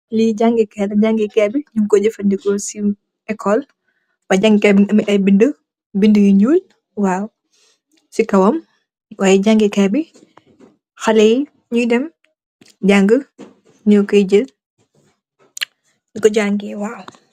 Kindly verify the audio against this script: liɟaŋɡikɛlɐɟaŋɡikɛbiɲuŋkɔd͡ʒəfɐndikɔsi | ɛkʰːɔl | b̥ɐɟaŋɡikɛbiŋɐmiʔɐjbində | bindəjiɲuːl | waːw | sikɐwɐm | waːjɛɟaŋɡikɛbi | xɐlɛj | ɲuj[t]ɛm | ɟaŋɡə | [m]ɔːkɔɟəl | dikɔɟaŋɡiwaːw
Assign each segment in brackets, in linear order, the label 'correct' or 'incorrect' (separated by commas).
incorrect, incorrect